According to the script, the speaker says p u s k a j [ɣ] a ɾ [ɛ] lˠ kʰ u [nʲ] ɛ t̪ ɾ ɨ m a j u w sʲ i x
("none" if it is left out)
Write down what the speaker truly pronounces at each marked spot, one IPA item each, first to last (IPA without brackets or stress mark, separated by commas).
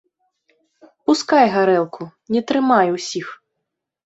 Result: ɣ, ɛ, nʲ